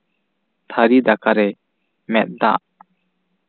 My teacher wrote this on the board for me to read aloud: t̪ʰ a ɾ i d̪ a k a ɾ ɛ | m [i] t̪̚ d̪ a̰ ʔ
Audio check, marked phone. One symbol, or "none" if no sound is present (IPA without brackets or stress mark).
ɛ